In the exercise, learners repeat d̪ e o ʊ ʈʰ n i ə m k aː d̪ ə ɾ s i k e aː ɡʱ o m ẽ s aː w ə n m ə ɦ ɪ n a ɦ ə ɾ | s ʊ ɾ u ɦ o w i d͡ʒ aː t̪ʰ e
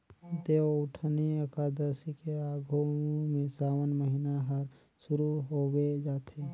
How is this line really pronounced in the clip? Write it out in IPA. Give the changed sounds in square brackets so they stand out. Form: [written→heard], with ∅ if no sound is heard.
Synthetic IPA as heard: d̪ e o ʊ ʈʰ n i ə [m→∅] k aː d̪ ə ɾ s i k e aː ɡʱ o m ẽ s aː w ə n m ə ɦ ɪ n a ɦ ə ɾ | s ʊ ɾ u ɦ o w [i→e] d͡ʒ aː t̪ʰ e